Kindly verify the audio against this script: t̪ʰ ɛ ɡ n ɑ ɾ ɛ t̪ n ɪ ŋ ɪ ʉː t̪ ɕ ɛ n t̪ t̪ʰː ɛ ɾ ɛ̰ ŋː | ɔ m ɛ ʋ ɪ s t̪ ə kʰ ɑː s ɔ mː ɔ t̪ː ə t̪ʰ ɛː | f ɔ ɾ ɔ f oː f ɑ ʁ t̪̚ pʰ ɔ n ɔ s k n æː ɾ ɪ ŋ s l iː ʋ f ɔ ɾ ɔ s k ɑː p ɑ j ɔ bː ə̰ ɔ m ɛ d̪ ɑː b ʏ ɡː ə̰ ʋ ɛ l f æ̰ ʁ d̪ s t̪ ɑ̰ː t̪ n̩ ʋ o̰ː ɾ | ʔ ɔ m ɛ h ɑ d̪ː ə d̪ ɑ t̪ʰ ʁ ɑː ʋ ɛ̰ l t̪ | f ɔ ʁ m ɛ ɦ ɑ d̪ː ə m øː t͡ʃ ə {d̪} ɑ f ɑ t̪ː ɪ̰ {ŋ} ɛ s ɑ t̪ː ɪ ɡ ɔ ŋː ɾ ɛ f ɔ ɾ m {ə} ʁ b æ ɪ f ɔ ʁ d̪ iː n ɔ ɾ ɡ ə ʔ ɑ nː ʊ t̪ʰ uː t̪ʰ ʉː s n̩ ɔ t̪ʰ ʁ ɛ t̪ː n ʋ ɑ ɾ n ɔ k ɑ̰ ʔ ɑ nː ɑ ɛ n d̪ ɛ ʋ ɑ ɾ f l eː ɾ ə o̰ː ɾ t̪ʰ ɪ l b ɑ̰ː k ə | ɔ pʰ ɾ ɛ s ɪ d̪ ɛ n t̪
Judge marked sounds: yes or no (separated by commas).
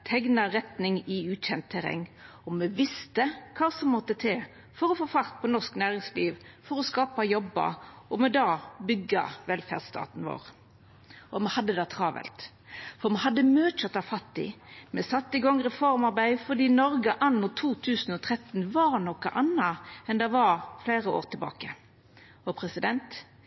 no, no, no